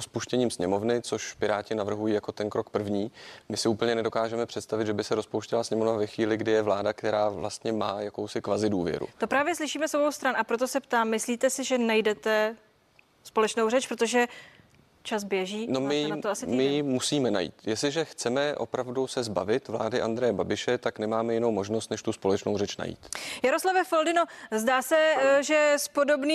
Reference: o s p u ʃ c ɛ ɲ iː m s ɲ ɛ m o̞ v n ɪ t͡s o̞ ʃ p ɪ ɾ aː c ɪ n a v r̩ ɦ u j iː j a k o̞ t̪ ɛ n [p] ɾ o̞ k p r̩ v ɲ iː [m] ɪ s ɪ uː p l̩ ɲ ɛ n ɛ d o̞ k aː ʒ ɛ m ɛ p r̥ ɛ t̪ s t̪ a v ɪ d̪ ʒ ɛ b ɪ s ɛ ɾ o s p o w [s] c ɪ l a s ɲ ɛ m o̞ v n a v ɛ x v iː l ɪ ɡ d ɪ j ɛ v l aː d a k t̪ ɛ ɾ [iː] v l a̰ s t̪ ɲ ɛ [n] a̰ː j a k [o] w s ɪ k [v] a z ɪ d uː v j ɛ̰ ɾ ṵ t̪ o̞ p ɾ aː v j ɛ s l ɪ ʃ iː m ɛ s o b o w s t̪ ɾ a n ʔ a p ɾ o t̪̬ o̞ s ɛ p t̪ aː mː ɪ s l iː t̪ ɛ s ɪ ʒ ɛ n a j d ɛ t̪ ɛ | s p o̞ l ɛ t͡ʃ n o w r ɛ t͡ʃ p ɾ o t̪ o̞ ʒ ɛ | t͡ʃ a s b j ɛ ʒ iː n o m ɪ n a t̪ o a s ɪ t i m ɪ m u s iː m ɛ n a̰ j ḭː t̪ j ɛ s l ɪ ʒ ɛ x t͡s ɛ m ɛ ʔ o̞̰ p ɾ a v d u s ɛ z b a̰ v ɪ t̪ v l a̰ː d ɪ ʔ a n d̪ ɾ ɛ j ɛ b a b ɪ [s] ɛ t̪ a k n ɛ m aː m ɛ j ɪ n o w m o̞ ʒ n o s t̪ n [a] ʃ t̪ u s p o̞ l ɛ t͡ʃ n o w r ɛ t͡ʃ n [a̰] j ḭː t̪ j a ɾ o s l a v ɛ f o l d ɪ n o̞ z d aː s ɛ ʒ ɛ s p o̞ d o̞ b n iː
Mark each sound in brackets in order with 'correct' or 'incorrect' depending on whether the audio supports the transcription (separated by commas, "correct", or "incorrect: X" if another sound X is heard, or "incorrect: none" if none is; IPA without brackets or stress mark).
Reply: incorrect: k, correct, incorrect: ʃ, incorrect: aː, incorrect: m, correct, correct, incorrect: ʃ, incorrect: ɛ, correct